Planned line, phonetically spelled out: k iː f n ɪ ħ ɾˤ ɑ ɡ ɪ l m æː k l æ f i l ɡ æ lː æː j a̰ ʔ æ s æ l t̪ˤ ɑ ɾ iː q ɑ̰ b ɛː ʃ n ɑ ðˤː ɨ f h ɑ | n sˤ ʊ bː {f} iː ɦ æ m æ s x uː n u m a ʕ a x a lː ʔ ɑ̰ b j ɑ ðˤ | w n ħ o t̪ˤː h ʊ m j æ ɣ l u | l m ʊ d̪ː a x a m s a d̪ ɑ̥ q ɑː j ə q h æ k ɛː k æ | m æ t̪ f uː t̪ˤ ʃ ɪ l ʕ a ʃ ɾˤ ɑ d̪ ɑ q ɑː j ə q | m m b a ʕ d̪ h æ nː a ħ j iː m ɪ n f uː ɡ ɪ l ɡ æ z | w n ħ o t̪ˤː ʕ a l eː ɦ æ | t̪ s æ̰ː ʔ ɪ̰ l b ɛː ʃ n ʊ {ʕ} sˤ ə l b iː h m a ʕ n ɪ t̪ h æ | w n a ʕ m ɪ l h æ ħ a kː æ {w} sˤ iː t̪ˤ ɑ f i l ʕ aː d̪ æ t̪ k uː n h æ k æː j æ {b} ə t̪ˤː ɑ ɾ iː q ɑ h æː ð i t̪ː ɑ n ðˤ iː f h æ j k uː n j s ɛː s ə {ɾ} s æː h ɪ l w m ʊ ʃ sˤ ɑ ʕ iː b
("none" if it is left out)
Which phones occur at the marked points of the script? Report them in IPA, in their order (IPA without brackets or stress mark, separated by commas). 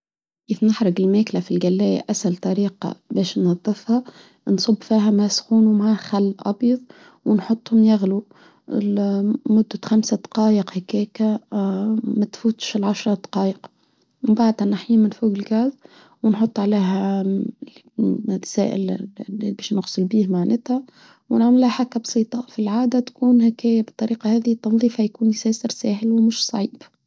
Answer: f, ɣ, b, b, ɾ